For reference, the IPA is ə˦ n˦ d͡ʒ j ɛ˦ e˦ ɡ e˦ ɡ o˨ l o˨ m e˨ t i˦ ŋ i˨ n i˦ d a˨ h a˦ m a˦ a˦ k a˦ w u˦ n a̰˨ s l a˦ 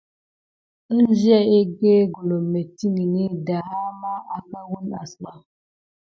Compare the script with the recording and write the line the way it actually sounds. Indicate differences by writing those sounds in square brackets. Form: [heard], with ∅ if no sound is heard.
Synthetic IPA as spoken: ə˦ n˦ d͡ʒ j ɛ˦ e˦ ɡ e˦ ɡ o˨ l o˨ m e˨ t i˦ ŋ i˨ n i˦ d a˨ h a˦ m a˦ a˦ k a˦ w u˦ n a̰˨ s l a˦